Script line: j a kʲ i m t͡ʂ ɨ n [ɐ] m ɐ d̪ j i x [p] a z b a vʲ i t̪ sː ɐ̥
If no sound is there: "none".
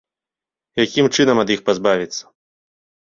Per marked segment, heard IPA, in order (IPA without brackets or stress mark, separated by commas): ɐ, p